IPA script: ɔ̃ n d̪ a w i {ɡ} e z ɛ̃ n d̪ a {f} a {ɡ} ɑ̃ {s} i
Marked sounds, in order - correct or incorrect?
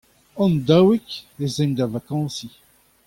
incorrect, incorrect, incorrect, correct

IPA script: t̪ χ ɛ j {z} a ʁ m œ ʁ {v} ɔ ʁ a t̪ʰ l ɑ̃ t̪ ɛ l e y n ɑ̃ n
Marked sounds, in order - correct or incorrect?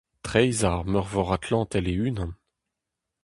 correct, correct

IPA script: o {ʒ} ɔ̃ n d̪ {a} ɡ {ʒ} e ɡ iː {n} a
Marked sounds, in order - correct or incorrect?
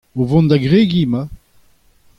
incorrect, correct, incorrect, incorrect

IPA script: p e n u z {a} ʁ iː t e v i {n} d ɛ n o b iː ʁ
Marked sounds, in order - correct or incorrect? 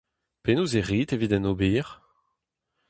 incorrect, incorrect

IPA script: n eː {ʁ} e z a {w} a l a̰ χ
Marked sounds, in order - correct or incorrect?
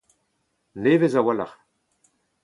incorrect, correct

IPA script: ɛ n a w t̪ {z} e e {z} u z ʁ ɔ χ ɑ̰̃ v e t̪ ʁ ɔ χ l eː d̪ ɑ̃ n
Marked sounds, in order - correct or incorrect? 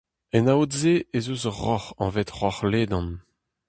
correct, correct

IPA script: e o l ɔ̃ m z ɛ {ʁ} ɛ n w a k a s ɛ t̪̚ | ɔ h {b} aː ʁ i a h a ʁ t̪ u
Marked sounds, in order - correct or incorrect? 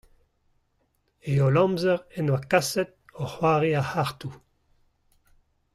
correct, incorrect

